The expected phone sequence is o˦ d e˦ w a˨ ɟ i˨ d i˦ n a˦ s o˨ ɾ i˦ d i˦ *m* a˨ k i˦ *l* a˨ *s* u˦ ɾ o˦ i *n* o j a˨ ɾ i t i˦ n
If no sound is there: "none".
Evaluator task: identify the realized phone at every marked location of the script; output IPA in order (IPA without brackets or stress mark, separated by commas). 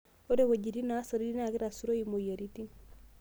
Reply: n, ɾ, s, m